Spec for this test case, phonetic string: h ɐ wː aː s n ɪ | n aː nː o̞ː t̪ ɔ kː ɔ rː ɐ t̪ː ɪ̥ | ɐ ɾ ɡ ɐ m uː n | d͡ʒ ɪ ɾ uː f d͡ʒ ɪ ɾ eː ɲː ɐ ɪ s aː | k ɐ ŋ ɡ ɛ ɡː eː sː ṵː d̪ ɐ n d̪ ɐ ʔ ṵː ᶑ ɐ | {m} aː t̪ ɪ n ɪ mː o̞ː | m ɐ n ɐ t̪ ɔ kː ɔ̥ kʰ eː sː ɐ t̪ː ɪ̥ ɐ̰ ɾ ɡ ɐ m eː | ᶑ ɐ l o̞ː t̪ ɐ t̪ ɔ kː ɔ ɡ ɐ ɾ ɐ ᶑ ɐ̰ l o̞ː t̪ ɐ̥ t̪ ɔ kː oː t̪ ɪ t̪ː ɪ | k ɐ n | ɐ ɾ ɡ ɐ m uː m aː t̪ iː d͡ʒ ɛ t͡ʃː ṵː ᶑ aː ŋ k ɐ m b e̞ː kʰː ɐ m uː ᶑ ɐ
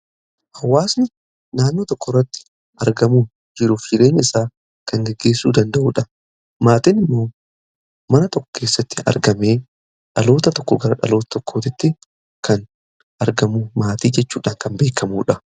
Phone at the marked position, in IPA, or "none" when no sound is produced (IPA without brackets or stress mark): m